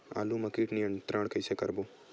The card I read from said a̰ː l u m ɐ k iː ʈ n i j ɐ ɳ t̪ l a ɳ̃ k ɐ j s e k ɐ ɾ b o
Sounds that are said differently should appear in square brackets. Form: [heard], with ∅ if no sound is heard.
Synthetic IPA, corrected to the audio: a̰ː l u m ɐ k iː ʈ n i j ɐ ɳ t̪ [ɾ] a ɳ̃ k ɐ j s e k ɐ ɾ b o